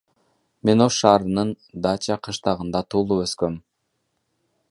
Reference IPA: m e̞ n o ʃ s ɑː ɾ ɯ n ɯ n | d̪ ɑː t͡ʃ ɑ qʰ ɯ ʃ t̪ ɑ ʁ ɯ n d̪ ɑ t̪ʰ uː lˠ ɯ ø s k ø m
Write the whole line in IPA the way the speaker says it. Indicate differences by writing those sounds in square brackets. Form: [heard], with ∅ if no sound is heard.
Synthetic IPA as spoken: m e̞ n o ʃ [ʃ] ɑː ɾ ɯ n ɯ n | d̪ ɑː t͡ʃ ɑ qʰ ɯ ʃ t̪ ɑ ʁ ɯ n d̪ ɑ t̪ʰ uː lˠ [u] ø s k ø m

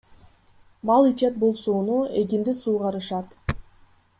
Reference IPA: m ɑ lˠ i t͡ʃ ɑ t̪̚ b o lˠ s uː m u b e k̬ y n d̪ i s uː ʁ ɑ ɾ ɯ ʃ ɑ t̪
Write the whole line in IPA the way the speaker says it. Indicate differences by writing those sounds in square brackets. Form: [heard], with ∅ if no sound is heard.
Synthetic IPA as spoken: m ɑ lˠ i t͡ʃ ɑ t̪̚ b o lˠ s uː [n] u [∅] e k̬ [i] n d̪ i s uː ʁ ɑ ɾ ɯ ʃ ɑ t̪

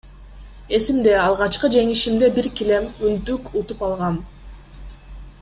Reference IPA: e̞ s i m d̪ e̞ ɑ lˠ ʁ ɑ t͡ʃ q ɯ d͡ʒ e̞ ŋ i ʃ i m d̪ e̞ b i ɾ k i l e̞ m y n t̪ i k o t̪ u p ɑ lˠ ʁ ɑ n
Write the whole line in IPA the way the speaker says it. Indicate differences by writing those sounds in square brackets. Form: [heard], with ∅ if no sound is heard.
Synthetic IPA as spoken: e̞ s i m d̪ e̞ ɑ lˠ ʁ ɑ t͡ʃ q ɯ d͡ʒ e̞ ŋ i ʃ i m d̪ e̞ b i ɾ k i l e̞ m y n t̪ [y] k [u] t̪ u p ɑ lˠ ʁ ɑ n

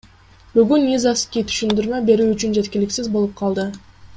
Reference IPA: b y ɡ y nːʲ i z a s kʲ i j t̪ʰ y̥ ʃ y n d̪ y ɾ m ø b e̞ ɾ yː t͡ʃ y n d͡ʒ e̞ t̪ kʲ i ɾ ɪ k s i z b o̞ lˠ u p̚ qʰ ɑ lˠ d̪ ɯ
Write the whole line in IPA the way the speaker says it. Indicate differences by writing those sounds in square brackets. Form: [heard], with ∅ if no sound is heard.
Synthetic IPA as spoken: b y ɡ y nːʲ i z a s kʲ i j t̪ʰ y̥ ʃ y n d̪ y ɾ m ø b e̞ ɾ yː t͡ʃ y n d͡ʒ e̞ t̪ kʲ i [l] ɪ k s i z b o̞ lˠ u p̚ qʰ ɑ lˠ d̪ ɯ

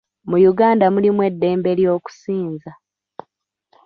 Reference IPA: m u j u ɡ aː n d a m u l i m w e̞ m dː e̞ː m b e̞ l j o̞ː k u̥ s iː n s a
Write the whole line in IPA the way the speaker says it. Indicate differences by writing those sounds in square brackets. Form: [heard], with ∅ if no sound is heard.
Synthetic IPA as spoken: m u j u ɡ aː n d a m u l i m w e̞ [∅] dː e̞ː m b e̞ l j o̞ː k u̥ s iː n [z] a

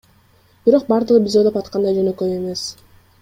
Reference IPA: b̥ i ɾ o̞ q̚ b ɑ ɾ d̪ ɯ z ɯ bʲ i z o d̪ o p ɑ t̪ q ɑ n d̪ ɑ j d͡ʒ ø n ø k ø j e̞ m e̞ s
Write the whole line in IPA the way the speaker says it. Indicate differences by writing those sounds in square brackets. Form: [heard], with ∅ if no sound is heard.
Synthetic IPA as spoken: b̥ i ɾ o̞ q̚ b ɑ ɾ d̪ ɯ [ʁ] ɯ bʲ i z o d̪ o p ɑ t̪ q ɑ n d̪ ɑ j d͡ʒ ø n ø k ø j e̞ m e̞ s

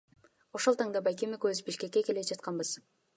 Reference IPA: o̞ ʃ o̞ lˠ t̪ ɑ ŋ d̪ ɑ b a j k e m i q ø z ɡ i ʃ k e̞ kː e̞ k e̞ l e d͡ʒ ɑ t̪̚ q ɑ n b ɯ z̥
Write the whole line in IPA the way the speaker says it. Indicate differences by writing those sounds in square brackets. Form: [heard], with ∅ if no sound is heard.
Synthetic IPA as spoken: o̞ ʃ o̞ lˠ t̪ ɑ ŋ d̪ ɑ b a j k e m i [k] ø z [b] i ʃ k e̞ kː e̞ k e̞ l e d͡ʒ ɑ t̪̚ q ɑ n b ɯ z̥

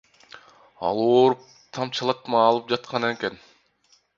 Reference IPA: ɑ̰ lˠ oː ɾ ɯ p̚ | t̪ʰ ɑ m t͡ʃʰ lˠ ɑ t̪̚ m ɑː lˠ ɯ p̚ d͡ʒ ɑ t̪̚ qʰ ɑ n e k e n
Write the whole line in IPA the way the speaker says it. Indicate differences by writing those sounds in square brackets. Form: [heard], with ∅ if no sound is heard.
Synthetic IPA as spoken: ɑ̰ lˠ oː ɾ [u] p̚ | t̪ʰ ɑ m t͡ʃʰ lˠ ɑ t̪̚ m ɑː lˠ ɯ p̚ d͡ʒ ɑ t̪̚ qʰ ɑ n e k e n

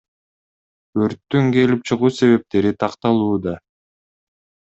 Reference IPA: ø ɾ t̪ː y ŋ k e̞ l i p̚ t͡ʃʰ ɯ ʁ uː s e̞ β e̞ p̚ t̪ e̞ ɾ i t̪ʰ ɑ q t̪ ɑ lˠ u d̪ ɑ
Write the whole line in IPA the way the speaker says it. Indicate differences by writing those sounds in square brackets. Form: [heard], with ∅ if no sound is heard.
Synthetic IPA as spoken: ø ɾ t̪ː y ŋ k e̞ l i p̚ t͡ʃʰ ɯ ʁ uː s e̞ β e̞ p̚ t̪ e̞ ɾ i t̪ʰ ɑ q t̪ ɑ lˠ [uː] d̪ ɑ

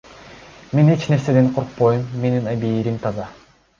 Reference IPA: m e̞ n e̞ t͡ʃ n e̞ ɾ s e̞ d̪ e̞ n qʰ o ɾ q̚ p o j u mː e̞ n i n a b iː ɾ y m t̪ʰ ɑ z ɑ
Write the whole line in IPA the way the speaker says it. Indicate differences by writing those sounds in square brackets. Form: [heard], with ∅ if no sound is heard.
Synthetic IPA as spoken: m e̞ n e̞ t͡ʃ n e̞ ɾ s e̞ d̪ e̞ n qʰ o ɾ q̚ p o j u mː e̞ n i n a b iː ɾ [i] m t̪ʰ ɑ z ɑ

